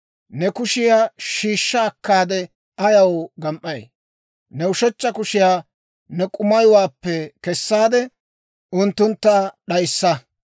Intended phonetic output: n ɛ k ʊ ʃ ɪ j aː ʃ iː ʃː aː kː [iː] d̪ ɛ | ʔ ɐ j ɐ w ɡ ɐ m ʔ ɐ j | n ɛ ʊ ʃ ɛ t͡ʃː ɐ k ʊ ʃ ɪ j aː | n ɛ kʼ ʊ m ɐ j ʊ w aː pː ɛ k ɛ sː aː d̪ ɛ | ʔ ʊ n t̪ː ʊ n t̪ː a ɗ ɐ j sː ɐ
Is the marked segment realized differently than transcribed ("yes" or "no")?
yes